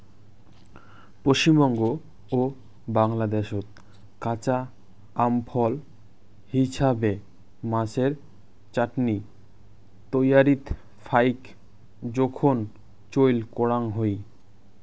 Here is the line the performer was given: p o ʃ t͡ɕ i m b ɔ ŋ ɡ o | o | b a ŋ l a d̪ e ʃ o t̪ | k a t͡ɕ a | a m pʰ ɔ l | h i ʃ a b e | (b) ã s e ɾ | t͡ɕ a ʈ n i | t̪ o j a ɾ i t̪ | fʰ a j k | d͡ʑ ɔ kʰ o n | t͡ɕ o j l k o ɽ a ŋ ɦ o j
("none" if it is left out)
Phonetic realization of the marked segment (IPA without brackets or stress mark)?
m